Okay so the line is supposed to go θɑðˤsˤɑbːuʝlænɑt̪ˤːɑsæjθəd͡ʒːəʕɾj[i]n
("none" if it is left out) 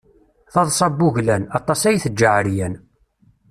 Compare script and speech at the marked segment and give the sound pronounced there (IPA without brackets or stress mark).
æ